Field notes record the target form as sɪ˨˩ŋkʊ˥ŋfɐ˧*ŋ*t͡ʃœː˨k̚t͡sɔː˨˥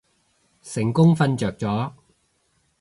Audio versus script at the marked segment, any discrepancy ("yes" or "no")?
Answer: yes